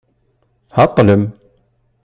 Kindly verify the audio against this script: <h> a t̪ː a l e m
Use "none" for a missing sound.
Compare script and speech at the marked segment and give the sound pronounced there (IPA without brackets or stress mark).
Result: h